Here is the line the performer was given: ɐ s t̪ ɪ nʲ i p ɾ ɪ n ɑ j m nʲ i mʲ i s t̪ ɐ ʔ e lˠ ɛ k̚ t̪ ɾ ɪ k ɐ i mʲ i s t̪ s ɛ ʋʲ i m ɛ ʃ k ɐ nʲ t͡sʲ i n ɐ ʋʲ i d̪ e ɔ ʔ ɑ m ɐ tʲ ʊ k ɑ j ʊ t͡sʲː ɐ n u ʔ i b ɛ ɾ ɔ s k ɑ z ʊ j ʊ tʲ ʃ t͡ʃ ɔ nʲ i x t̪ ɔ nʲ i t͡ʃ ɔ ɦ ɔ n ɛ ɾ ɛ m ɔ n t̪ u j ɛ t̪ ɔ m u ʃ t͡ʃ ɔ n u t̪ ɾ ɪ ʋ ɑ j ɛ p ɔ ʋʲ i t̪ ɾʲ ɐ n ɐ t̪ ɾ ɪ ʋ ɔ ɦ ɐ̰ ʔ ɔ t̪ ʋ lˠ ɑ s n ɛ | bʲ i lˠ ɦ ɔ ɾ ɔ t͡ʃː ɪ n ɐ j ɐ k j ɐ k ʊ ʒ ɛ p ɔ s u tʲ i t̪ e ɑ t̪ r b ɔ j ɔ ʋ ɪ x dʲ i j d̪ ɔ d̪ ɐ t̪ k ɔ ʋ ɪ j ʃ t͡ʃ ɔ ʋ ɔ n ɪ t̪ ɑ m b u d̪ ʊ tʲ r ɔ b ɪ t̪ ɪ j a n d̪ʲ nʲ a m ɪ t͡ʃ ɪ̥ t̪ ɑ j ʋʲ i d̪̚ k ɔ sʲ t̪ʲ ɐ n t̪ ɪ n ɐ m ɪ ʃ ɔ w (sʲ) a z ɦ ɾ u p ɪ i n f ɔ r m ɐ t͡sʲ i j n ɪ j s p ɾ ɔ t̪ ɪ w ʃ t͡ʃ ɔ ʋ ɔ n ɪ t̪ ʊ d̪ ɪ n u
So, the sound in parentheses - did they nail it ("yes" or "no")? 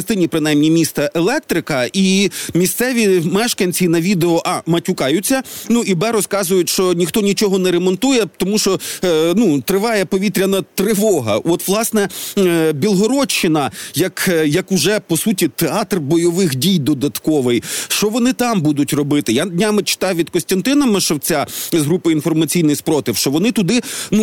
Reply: no